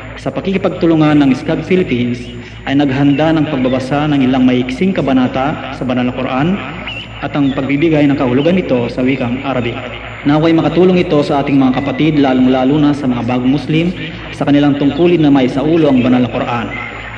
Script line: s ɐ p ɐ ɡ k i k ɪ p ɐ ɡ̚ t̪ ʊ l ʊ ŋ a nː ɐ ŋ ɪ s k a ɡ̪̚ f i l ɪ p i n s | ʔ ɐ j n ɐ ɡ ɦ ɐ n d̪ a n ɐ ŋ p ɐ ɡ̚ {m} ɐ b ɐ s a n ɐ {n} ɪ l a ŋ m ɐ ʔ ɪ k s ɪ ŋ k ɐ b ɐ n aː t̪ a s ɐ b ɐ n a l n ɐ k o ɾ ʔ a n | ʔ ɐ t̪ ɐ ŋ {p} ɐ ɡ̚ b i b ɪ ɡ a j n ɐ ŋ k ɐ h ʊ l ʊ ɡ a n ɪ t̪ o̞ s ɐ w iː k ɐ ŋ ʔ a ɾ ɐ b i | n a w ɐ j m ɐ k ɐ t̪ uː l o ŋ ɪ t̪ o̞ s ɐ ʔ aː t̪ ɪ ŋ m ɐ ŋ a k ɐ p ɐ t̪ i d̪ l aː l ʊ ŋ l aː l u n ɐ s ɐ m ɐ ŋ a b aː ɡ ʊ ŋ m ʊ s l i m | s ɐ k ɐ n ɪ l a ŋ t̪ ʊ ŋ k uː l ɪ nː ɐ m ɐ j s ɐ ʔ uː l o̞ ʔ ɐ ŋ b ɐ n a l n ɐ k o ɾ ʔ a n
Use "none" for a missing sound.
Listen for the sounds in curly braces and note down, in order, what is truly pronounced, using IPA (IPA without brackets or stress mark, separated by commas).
b, ŋ, p